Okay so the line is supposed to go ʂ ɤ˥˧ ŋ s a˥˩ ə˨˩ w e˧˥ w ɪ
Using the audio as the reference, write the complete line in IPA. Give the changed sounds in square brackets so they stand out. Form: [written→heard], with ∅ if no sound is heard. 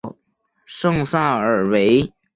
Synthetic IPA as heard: ʂ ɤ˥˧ ŋ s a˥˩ ə˨˩ w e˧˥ [w→∅] ɪ